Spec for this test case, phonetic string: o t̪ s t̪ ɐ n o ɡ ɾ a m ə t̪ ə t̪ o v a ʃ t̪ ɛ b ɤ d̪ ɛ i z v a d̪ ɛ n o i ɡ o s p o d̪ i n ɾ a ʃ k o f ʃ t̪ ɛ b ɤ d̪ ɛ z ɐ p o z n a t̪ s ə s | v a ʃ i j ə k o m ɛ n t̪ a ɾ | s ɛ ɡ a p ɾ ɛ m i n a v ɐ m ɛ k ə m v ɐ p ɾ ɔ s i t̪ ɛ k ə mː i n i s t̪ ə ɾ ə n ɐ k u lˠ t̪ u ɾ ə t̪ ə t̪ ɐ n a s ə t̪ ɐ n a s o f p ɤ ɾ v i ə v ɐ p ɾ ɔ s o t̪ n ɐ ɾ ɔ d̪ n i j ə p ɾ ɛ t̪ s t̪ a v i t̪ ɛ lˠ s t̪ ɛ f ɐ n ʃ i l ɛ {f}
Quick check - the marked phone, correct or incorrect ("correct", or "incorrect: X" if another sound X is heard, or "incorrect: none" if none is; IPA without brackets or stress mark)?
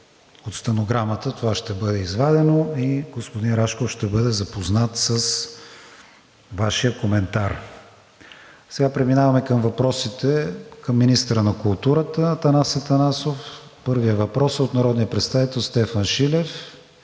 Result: correct